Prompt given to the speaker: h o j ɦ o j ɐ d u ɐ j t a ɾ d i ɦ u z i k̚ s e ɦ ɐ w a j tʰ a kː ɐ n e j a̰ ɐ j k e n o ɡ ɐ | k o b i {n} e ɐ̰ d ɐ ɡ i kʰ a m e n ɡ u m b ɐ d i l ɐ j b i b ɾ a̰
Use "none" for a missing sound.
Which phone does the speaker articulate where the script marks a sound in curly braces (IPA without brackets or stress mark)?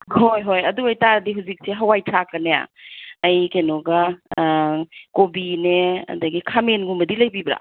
n